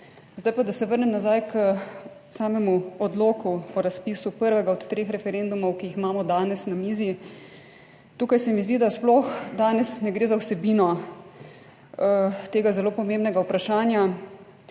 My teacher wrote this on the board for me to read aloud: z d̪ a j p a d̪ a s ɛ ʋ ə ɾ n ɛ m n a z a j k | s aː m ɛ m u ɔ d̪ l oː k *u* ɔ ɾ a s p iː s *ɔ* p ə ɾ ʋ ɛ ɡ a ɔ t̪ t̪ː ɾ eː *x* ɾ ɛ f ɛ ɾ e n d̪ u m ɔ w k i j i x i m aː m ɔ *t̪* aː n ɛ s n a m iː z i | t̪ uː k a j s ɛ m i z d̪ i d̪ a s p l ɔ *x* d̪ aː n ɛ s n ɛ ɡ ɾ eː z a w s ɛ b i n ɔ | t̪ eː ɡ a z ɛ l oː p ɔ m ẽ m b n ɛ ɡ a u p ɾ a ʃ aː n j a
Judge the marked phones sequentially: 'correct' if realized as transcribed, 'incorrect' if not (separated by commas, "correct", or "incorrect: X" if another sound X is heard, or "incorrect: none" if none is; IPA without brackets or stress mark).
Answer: correct, incorrect: u, correct, incorrect: d̪, correct